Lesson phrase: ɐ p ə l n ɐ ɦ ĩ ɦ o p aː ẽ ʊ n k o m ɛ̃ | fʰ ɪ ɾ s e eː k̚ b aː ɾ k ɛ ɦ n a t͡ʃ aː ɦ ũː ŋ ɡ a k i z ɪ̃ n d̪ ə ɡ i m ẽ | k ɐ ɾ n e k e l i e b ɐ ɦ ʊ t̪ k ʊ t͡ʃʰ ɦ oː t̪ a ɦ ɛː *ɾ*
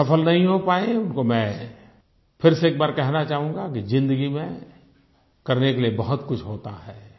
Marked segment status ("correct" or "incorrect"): incorrect